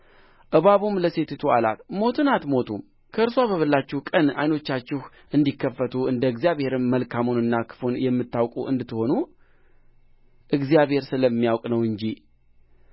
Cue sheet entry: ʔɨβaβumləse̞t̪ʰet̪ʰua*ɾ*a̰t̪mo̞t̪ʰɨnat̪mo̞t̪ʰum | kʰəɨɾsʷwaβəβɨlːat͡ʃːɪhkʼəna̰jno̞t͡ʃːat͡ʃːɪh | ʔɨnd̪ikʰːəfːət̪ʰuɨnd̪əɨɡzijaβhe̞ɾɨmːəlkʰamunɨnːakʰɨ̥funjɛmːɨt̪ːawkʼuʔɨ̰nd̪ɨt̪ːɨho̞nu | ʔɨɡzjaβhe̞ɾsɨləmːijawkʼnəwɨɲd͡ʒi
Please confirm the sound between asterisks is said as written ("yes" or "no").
no